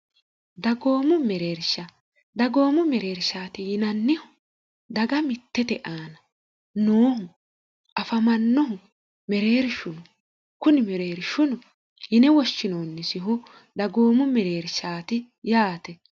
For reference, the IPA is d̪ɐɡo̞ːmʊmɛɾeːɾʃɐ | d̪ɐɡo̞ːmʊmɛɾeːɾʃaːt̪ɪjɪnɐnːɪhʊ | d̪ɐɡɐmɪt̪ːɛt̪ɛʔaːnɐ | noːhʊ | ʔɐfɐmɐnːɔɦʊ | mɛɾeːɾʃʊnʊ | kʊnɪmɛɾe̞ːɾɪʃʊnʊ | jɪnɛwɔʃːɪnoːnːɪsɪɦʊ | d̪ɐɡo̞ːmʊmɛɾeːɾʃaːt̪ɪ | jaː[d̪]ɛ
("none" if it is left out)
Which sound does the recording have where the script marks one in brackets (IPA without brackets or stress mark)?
t̪